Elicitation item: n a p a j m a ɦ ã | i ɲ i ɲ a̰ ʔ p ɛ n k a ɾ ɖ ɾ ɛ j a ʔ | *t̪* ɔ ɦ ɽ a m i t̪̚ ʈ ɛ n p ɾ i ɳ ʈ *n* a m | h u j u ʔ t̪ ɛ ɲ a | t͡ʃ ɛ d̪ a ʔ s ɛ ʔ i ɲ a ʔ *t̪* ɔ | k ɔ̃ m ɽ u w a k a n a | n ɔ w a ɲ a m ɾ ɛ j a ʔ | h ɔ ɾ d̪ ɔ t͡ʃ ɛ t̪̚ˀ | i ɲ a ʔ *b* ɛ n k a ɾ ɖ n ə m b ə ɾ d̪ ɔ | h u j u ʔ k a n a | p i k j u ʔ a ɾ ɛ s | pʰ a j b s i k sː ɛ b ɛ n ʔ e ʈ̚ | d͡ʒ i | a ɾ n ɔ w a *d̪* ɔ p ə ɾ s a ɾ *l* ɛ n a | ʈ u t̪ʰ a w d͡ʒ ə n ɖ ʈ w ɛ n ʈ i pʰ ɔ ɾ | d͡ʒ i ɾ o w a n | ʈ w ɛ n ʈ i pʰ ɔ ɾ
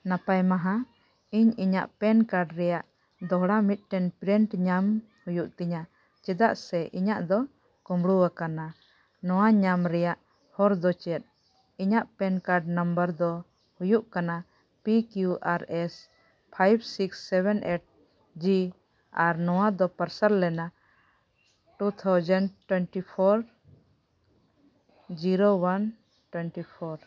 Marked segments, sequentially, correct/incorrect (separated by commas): incorrect, incorrect, incorrect, incorrect, correct, correct